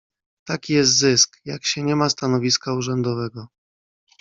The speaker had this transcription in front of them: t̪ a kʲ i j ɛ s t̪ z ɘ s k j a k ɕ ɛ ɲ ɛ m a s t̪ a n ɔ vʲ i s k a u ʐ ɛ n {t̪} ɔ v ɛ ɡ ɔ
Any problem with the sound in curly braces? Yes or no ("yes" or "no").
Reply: yes